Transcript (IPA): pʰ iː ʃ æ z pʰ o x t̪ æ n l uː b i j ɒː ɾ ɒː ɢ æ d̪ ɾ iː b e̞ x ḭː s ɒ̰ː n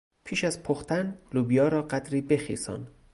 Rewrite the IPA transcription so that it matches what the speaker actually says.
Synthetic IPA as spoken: pʰ iː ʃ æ z pʰ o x t̪ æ n l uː b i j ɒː ɾ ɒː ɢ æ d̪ ɾ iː b e̞ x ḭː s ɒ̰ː n